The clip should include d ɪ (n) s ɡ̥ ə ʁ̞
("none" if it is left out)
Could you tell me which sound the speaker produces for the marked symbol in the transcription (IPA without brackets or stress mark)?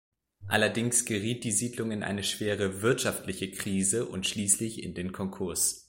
ŋ